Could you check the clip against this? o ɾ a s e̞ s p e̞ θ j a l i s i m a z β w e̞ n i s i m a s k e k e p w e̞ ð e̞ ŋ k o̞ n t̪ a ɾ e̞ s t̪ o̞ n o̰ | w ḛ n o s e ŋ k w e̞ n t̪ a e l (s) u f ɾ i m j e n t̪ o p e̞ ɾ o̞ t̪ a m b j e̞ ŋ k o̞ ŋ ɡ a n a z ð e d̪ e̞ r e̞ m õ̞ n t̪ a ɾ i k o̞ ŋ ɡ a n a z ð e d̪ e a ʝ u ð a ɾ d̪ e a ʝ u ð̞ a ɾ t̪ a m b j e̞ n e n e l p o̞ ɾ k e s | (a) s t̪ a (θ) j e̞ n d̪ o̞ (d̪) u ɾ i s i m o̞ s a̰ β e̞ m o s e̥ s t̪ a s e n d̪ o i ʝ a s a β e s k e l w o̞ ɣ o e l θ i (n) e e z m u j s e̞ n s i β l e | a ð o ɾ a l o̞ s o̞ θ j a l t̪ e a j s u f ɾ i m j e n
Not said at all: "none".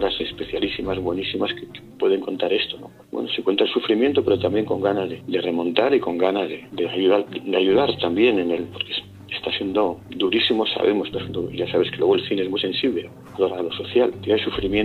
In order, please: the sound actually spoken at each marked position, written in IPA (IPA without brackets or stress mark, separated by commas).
s, e, s, d̪, n